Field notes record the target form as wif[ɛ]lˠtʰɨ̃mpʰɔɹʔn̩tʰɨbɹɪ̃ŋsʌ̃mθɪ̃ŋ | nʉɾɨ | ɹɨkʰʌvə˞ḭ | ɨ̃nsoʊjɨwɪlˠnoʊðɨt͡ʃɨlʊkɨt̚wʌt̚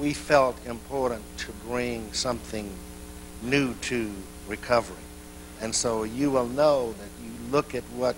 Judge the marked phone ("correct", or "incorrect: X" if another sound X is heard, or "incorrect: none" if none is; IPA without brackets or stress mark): correct